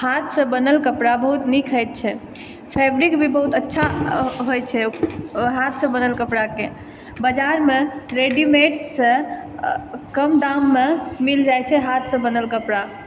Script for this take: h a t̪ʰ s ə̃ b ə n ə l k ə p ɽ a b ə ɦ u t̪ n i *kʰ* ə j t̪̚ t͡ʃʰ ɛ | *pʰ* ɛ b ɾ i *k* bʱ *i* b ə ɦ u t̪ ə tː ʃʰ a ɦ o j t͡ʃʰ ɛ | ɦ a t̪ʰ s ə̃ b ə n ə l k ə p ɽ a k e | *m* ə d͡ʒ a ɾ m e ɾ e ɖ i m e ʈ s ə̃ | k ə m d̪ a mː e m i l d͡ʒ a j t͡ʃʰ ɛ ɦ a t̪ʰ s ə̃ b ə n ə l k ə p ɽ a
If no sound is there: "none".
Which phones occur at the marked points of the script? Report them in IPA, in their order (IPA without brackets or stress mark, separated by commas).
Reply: kʰ, pʰ, k, i, b